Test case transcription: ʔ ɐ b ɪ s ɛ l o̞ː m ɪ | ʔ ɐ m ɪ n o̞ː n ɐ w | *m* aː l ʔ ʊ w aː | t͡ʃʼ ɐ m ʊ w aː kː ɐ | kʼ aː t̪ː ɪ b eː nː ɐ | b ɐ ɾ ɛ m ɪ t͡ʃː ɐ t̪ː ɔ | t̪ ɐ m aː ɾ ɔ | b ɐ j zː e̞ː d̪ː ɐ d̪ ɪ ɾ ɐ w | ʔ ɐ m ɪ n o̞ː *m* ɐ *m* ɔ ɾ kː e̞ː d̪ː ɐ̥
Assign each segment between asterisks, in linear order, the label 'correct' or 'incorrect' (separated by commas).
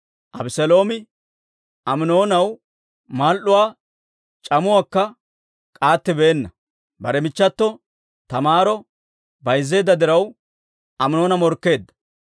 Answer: correct, incorrect, correct